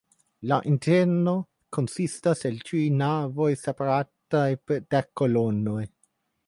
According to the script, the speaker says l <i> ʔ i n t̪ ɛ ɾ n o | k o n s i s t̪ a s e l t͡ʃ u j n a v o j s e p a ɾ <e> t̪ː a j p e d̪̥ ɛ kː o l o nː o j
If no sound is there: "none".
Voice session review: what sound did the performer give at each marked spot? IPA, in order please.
a, a

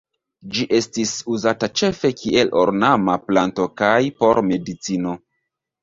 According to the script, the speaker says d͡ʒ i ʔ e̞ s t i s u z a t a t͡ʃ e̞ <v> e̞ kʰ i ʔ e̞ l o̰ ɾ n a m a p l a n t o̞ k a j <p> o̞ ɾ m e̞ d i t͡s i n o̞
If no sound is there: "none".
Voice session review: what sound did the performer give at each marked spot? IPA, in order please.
f, p

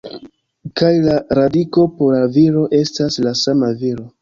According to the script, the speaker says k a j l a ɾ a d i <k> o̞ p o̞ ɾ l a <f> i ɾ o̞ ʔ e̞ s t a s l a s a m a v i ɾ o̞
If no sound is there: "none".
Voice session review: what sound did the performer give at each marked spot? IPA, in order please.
k, v

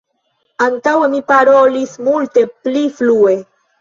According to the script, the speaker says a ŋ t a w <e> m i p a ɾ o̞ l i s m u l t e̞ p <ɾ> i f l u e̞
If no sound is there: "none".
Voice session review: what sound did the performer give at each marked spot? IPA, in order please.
e, l

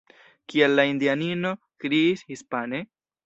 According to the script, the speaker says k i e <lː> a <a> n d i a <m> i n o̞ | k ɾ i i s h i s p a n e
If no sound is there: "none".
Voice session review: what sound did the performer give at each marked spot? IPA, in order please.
lː, i, n

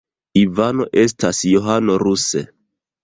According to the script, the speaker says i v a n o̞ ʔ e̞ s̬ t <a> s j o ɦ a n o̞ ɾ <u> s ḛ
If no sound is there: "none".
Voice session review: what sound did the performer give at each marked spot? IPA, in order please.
a, u

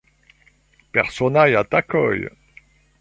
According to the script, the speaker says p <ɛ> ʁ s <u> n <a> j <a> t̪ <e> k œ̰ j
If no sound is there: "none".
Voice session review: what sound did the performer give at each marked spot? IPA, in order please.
ɛ, ɔ, a, a, a

